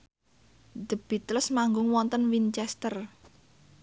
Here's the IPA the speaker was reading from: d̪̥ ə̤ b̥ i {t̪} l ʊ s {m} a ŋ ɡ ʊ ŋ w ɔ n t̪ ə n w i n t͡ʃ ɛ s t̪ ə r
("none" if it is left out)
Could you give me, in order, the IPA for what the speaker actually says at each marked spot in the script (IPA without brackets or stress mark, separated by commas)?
t̪, m